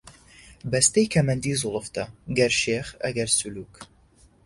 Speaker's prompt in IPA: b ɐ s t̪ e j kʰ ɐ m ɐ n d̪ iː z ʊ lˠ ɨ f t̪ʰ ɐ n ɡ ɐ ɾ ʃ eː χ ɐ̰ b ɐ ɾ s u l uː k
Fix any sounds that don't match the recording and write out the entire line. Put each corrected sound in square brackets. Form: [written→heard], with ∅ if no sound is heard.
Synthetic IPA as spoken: b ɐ s t̪ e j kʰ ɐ m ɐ n d̪ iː z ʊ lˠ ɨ f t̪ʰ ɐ [n→∅] ɡ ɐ ɾ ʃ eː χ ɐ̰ [b→ɡ] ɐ ɾ s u l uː k